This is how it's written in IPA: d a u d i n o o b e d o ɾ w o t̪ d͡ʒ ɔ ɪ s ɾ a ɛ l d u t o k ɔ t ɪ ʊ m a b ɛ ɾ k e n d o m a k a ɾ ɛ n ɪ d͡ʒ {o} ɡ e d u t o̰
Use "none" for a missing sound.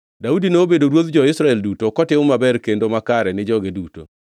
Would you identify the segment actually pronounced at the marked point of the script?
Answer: ɔ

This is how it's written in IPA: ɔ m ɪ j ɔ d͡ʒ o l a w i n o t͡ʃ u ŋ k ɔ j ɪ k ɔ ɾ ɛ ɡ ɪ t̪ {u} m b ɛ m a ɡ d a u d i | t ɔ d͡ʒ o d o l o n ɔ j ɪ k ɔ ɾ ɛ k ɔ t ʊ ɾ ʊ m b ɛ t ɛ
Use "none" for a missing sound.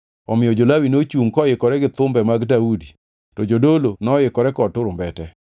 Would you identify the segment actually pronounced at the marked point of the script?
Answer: ʊ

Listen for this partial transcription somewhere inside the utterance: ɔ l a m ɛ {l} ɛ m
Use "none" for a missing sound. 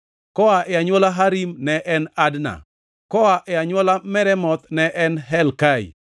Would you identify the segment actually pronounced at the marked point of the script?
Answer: ɾ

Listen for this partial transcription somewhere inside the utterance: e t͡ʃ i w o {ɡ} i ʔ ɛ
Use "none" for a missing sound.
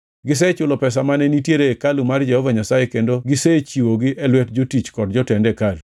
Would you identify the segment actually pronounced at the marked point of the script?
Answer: ɡ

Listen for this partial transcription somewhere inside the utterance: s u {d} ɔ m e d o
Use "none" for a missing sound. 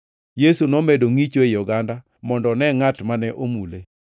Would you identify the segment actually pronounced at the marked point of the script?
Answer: n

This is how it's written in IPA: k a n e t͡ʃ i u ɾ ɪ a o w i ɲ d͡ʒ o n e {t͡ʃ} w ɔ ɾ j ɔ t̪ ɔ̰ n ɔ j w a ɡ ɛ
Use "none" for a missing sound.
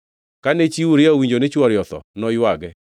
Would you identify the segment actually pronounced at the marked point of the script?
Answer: t͡ʃ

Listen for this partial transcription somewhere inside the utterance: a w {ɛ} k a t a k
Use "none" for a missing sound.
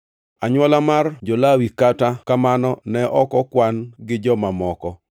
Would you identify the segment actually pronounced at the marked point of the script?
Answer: i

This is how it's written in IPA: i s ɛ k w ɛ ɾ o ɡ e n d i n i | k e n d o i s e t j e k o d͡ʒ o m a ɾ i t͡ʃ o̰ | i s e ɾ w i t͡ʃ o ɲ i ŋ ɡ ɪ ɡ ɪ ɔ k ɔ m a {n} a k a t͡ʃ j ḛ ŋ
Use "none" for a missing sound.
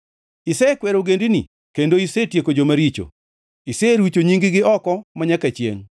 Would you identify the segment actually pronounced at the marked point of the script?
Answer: ɲ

